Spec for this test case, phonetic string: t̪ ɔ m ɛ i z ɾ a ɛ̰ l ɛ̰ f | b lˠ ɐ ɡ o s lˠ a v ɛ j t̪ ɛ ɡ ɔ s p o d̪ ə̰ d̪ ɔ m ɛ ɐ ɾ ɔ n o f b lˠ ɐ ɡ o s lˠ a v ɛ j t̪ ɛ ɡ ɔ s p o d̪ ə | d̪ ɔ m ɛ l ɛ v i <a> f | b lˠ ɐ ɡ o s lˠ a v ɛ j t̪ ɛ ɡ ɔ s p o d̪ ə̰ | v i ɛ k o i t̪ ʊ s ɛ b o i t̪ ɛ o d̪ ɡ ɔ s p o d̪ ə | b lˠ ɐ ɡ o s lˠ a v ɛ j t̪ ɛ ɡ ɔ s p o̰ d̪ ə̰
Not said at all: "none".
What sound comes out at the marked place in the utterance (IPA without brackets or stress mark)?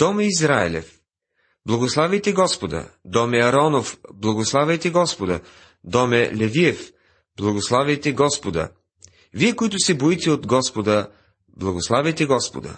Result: ɛ